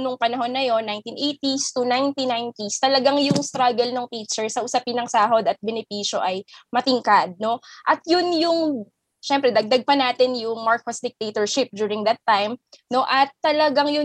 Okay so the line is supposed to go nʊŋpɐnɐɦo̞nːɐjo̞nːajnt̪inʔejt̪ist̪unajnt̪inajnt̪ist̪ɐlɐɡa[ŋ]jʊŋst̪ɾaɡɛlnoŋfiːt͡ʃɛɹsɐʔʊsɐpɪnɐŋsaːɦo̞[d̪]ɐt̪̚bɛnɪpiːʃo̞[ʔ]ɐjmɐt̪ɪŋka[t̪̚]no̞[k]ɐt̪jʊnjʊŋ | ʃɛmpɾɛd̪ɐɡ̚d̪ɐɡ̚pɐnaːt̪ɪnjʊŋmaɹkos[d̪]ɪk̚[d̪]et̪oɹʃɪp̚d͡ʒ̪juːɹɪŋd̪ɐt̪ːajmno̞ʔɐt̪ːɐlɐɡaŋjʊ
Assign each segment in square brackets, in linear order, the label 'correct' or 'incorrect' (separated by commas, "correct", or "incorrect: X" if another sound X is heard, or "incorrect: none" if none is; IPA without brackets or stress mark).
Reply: correct, correct, correct, incorrect: d̪̚, incorrect: ʔ, correct, incorrect: t̪